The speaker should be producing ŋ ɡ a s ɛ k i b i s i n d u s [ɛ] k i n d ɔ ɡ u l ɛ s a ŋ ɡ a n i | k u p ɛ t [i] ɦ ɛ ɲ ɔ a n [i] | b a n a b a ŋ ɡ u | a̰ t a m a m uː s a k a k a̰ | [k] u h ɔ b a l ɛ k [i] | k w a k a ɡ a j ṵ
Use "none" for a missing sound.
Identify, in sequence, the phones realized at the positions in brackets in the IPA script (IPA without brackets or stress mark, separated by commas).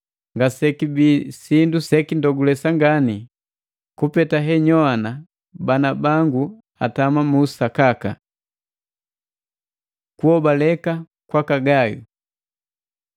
ɛ, a, a, k, a